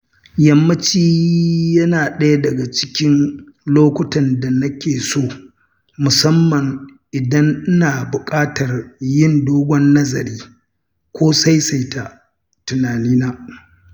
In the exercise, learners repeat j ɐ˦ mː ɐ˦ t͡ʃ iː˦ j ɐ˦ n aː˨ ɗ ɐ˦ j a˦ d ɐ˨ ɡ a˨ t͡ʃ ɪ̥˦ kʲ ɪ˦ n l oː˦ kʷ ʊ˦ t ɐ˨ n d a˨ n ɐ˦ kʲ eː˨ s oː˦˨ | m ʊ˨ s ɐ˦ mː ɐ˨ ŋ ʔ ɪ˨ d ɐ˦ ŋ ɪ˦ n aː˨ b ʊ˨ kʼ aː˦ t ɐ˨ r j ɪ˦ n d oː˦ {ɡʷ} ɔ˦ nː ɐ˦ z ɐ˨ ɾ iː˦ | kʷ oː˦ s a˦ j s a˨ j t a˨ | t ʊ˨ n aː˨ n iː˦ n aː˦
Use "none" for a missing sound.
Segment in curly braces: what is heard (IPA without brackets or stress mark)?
ɡʷ